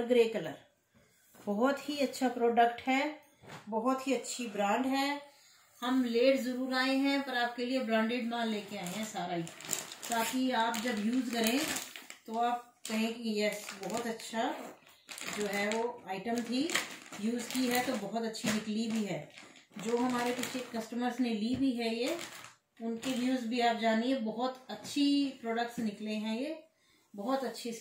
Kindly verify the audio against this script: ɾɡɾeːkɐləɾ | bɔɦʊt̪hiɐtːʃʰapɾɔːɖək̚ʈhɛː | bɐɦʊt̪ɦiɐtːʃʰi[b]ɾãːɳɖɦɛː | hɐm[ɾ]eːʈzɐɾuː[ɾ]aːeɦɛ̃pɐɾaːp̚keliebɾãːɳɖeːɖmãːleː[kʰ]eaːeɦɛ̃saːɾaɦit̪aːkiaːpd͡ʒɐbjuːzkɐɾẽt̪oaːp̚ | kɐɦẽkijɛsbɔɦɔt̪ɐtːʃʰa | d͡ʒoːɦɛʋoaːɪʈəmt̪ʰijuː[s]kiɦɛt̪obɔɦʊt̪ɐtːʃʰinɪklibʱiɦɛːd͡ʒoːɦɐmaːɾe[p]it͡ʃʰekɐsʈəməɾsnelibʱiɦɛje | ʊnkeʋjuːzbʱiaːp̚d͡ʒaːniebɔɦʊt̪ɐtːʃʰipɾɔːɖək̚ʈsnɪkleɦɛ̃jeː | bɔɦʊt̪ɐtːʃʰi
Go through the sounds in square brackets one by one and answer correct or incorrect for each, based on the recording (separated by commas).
correct, incorrect, correct, incorrect, incorrect, correct